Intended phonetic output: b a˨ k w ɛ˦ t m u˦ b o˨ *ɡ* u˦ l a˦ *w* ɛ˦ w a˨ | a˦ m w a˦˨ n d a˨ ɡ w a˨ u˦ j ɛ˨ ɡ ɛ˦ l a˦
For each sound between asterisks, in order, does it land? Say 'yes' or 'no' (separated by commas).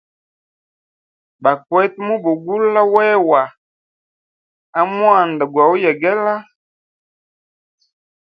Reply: yes, yes